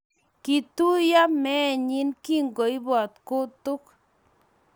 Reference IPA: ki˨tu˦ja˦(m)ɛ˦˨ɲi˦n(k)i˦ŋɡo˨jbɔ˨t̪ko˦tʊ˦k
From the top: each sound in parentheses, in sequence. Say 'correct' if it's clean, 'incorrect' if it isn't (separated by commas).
correct, correct